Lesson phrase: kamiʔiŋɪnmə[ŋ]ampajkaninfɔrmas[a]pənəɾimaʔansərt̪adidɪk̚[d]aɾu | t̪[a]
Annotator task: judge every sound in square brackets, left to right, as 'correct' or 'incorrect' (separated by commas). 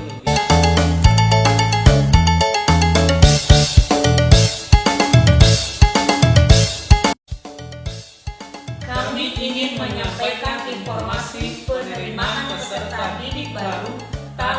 incorrect, incorrect, incorrect, correct